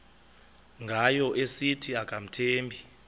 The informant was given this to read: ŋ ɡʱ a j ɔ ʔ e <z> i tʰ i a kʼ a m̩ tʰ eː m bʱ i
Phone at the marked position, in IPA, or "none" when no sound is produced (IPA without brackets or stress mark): s